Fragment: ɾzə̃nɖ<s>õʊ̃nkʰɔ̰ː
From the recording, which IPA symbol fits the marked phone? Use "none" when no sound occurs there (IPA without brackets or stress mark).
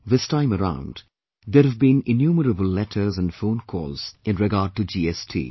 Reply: f